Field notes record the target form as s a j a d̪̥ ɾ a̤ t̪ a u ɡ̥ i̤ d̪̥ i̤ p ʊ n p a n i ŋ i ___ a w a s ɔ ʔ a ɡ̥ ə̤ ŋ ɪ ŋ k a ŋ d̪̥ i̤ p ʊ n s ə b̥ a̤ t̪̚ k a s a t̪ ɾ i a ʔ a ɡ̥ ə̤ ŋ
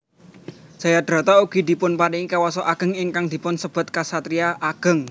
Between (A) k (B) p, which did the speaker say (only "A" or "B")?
A